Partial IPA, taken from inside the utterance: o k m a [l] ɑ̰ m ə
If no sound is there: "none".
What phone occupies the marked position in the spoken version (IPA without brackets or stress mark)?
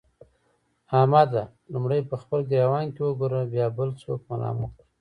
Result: l